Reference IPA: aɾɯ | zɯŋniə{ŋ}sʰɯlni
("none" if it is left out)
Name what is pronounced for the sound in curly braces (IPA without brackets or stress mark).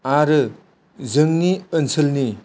n